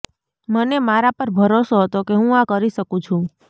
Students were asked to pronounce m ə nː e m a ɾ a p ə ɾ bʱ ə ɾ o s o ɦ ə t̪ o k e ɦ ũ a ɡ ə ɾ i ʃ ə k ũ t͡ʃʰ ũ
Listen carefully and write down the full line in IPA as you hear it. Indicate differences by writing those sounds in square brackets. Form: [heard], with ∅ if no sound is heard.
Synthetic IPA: m ə [n] e m a ɾ a p ə ɾ bʱ ə ɾ o s o ɦ ə t̪ o k e ɦ ũ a [k] ə ɾ i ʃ ə k ũ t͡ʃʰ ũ